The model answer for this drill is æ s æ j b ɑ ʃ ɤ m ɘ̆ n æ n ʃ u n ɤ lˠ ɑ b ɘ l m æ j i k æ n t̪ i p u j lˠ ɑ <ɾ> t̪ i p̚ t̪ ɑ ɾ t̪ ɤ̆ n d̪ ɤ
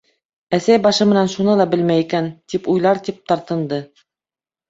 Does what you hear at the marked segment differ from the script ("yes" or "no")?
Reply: no